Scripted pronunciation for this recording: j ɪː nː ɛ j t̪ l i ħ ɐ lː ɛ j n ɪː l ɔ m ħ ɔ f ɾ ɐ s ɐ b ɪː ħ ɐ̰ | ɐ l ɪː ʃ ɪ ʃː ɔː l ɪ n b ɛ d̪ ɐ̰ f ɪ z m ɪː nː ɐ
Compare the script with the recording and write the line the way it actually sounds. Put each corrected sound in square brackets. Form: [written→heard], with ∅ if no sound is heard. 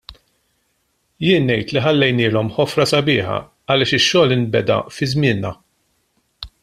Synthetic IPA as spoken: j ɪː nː ɛ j t̪ l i ħ ɐ lː ɛ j n ɪː l ɔ m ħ ɔ f ɾ ɐ s ɐ b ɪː ħ ɐ̰ | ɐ l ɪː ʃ ɪ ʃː ɔː l ɪ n b ɛ d̪ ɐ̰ f ɪ z m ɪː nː ɐ